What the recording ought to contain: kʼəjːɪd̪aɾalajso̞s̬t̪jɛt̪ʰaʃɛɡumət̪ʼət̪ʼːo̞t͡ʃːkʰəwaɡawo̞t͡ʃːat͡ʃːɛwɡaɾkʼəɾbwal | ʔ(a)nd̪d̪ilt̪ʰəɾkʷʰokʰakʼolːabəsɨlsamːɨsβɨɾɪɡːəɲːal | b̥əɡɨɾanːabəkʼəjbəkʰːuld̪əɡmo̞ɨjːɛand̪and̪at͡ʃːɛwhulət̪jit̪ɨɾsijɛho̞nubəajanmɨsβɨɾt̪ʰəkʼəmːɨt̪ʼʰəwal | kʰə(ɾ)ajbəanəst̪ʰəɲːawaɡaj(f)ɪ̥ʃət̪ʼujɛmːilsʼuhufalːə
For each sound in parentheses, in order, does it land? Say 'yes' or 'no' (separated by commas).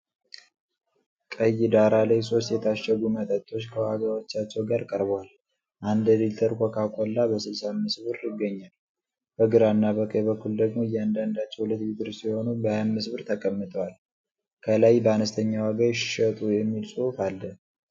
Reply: yes, no, no